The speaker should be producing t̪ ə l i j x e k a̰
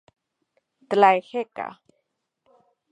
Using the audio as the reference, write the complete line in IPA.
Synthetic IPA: t̪ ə l a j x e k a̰

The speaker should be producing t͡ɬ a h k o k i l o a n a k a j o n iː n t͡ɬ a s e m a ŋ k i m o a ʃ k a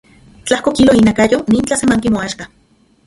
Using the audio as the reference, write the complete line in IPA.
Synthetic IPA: t͡ɬ a h k o k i l o i n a k a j o n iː n t͡ɬ a s e m a ŋ k i m o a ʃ k a

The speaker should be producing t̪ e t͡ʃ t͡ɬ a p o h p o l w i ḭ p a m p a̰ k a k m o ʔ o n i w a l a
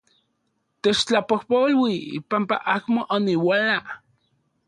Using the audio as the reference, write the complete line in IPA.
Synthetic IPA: t̪ e t͡ʃ t͡ɬ a p o h p o l w i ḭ p a m p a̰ ʔ a k m o ʔ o n i w a l a

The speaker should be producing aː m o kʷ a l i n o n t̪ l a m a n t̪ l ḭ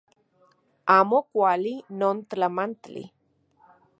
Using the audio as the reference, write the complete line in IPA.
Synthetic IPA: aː m o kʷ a l i n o n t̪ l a m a n t̪ l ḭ

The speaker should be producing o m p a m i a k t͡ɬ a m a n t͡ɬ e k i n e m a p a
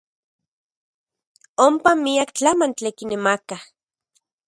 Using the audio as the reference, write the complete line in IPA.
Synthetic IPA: o m p a m i a k t͡ɬ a m a n t͡ɬ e k i n e m a k a

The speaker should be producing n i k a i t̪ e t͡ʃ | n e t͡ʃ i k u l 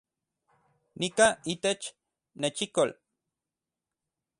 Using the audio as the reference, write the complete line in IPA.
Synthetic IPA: n i k a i t̪ e t͡ʃ | n e t͡ʃ i k o l

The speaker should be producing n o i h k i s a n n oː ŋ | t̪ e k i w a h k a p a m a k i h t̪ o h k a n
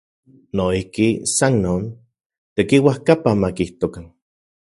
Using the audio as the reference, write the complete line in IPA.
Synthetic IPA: n o i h k i s a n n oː n | t̪ e k i w a h k a p a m a k i h t̪ o k a n

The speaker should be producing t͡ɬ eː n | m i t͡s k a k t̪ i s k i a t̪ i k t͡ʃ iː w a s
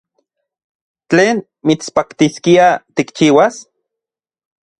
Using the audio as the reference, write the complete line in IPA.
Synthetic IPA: t͡ɬ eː n | m i t͡s p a k t̪ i s k i a t̪ i k t͡ʃ iː w a s

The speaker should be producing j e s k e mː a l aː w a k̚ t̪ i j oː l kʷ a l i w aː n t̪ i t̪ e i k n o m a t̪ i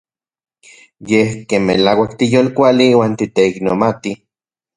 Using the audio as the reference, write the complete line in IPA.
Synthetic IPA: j e h k e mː e l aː w a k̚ t̪ i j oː l kʷ a l i w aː n t̪ i t̪ e i k n o m a t̪ i

